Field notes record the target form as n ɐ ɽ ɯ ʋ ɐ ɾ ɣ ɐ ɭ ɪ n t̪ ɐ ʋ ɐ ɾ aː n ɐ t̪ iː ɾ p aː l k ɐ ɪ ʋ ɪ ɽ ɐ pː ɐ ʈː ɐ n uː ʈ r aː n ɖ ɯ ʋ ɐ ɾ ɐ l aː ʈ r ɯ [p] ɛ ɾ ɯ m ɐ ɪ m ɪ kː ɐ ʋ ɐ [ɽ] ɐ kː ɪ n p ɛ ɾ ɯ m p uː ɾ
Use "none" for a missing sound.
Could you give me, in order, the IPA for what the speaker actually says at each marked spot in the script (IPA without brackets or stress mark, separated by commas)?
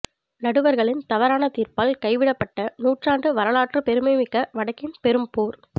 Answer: p, ɽ